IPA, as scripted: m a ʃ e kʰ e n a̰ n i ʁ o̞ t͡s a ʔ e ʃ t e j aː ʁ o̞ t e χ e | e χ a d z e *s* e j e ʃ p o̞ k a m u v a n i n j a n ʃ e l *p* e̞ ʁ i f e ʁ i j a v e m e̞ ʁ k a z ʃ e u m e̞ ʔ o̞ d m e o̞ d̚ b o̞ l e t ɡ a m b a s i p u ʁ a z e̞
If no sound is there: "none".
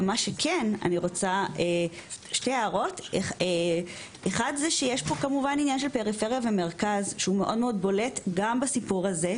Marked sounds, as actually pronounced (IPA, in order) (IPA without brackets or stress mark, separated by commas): ʃ, p